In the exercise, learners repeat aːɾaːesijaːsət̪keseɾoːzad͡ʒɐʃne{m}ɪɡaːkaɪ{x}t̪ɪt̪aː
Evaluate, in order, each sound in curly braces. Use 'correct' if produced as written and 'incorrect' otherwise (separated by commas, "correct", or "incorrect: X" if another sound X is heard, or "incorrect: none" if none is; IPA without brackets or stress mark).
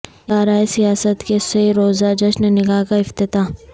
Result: incorrect: n, incorrect: f